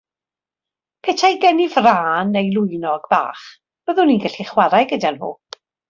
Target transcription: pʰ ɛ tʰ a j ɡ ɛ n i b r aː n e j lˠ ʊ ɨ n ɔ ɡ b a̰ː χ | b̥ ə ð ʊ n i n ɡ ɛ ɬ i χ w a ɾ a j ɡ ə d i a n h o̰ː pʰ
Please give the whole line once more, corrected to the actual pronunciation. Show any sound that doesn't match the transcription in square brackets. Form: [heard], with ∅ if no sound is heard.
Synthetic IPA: pʰ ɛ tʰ a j ɡ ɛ n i [v] r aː n e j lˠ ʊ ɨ n ɔ ɡ b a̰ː χ | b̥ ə ð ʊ n i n ɡ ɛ ɬ i χ w a ɾ a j ɡ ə d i a n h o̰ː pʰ